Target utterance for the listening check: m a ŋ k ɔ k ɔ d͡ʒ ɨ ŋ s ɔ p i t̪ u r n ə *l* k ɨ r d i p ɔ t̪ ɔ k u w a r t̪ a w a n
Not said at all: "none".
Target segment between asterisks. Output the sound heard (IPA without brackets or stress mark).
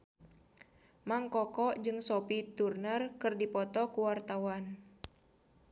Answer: r